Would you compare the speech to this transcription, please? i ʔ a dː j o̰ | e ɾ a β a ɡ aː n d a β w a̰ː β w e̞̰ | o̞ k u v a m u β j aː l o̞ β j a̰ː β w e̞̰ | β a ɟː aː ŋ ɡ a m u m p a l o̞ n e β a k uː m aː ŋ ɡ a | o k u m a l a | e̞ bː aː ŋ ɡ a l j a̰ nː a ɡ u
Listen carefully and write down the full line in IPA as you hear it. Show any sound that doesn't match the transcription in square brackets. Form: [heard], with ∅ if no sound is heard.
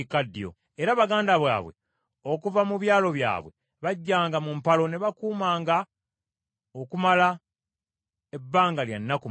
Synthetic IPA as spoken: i [k] a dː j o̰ | e ɾ a β a ɡ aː n d a β w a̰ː β w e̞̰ | o̞ k u v a m u β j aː l o̞ β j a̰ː β w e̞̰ | β a ɟː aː ŋ ɡ a m u m p a l o̞ n e β a k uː m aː ŋ ɡ a | o k u m a l a | e̞ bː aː ŋ ɡ a l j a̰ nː a [k] u